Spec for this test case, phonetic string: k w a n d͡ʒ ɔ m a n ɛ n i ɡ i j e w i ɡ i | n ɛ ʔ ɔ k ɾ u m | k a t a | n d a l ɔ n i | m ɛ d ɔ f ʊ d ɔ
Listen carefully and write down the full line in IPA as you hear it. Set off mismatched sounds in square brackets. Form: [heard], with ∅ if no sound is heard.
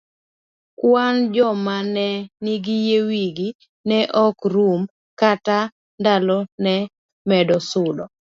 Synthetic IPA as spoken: k w a n d͡ʒ ɔ m a n ɛ n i ɡ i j e w i ɡ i | n ɛ ʔ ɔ k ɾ u m | k a t a | n d a l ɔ n [ɛ] | m ɛ d ɔ [s] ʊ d ɔ